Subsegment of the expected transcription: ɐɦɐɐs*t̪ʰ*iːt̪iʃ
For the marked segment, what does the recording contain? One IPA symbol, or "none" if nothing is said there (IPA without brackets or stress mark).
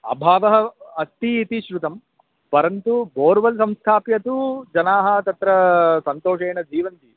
t̪